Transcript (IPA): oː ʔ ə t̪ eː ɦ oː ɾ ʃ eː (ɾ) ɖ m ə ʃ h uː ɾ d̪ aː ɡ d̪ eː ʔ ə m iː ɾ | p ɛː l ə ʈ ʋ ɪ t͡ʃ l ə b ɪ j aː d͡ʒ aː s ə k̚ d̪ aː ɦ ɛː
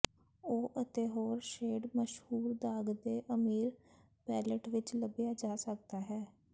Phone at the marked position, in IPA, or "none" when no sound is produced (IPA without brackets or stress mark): none